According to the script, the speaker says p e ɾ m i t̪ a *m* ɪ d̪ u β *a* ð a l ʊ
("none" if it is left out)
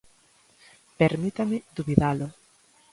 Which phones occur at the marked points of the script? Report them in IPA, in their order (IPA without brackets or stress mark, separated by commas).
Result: m, i